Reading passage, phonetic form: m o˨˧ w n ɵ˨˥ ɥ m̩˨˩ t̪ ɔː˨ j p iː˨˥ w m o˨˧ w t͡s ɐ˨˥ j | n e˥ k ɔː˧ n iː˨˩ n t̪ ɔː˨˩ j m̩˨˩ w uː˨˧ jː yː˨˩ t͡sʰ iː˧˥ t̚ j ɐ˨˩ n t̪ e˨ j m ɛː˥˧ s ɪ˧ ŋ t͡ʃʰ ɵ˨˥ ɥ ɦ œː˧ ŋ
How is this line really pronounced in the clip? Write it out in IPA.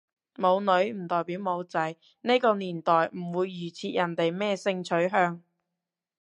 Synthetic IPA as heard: m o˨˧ w n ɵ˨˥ ɥ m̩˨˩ t̪ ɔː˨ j p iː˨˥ w m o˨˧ w t͡s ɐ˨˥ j | n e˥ k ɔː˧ n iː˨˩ n t̪ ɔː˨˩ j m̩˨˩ w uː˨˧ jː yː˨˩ t͡sʰ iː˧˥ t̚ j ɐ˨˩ n t̪ e˨ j m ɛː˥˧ s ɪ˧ ŋ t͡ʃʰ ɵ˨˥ ɥ ɦ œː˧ ŋ